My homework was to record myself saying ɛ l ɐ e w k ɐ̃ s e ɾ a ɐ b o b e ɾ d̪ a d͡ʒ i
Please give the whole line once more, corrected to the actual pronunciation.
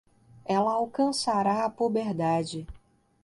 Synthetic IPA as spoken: ɛ l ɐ a w k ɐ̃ s a ɾ a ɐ p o b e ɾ d̪ a d͡ʒ ɪ